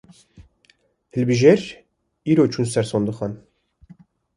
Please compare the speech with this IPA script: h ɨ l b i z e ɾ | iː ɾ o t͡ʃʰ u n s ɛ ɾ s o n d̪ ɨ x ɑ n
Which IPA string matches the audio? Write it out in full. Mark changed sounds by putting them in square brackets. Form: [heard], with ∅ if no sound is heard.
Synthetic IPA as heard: h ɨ l b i [ʒ] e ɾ | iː ɾ o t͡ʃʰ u n s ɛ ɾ s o n d̪ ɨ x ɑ n